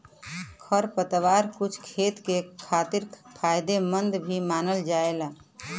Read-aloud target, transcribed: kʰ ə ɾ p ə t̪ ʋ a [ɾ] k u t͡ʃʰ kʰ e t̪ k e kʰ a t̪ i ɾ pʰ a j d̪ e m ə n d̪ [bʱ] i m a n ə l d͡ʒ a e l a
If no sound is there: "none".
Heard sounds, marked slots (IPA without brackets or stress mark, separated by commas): ɾ, bʱ